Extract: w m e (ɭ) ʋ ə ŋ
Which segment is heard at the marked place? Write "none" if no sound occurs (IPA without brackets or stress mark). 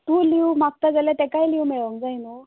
ɭ